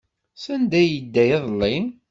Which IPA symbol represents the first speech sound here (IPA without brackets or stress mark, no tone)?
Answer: s